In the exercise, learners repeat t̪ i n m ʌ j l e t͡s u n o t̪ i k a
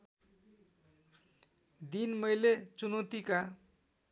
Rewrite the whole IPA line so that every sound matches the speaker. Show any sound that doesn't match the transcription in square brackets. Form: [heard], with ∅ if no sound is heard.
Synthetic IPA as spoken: [d̪] i n m ʌ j l e t͡s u n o t̪ i k a